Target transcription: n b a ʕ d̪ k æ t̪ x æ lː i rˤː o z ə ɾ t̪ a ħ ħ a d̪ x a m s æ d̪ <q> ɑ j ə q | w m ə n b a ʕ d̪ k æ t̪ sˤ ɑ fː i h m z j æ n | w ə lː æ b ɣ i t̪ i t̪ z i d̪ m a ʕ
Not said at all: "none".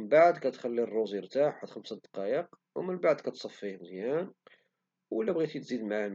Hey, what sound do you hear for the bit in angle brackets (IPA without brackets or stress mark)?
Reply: q